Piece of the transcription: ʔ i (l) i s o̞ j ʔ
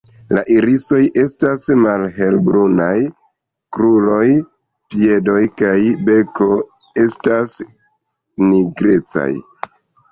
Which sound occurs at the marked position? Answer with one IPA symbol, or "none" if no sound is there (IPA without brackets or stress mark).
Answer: ɾ